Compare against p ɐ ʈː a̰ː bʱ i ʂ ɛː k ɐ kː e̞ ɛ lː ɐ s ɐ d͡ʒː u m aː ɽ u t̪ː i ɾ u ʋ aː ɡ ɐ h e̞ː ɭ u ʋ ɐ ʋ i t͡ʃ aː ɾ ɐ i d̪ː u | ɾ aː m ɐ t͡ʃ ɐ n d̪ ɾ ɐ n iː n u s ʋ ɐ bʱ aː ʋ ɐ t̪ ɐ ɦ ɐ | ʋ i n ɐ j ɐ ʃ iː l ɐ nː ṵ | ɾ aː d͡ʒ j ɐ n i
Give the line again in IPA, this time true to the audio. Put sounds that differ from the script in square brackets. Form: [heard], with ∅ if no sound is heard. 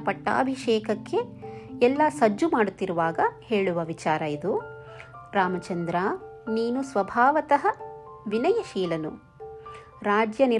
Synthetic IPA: p ɐ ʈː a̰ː bʱ i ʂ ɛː k ɐ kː e̞ ɛ lː ɐ s ɐ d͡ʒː u m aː ɽ u t̪ː i ɾ u ʋ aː ɡ ɐ h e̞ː ɭ u ʋ ɐ ʋ i t͡ʃ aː ɾ ɐ i [d̪] u | ɾ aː m ɐ t͡ʃ ɐ n d̪ ɾ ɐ n iː n u s ʋ ɐ bʱ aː ʋ ɐ t̪ ɐ ɦ ɐ | ʋ i n ɐ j ɐ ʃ iː l ɐ [n] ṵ | ɾ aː d͡ʒ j ɐ n i